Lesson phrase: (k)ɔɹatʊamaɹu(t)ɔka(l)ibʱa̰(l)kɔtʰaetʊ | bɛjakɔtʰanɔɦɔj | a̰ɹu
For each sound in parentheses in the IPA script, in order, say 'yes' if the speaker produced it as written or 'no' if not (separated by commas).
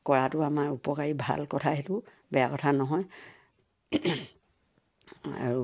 yes, no, no, yes